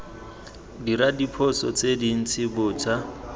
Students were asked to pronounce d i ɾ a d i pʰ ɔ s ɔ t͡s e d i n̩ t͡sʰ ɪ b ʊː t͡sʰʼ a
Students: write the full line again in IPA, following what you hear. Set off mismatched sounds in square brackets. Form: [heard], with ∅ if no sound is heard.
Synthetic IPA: d i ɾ a d i pʰ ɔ s ɔ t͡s e d i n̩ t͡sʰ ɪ b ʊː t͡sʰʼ a